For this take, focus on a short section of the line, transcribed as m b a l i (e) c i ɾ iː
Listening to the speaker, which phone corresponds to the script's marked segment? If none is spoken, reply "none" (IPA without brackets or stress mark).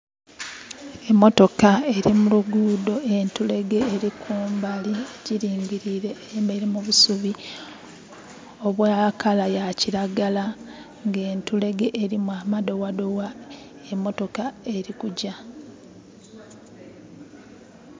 e